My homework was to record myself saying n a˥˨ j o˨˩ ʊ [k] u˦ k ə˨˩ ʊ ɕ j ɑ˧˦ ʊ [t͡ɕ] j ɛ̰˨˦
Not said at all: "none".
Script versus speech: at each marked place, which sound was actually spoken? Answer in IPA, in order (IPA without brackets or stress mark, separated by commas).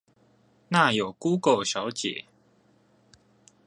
k, t͡ɕ